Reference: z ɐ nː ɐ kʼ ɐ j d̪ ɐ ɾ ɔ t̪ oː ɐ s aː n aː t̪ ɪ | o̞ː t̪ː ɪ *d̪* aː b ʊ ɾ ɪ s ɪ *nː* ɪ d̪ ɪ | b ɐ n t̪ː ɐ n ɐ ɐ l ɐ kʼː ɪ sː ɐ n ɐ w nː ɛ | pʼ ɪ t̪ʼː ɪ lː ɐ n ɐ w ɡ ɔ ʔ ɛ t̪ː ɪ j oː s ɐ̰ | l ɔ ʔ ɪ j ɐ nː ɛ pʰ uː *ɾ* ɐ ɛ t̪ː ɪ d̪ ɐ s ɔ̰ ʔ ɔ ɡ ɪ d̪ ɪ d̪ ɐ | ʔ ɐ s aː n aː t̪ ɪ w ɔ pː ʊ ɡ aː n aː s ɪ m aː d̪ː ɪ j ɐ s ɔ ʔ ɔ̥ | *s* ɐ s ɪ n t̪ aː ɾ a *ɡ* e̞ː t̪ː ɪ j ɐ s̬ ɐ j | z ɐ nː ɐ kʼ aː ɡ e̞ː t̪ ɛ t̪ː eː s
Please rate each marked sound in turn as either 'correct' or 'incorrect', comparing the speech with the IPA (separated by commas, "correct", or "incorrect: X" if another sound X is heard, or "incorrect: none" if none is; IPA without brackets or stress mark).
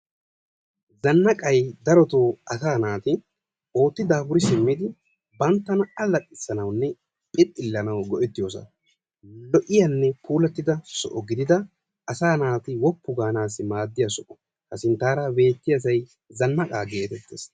correct, incorrect: mː, incorrect: l, incorrect: h, incorrect: b